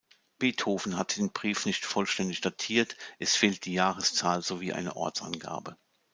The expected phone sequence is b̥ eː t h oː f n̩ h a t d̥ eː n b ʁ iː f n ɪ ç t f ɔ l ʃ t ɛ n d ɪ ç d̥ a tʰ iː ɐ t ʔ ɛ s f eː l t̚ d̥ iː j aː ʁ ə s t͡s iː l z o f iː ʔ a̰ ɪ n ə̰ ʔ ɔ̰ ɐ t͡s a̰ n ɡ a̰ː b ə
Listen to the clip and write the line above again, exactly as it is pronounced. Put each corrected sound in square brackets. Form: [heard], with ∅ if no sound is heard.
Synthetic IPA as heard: b̥ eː t h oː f n̩ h a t d̥ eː n b ʁ iː f n ɪ ç t f ɔ l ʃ t ɛ n d ɪ ç d̥ a tʰ iː ɐ t ʔ ɛ s f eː l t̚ d̥ iː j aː ʁ ə s t͡s [aː] l z o [v] iː ʔ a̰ ɪ n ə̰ ʔ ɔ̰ ɐ t͡s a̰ n ɡ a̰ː b ə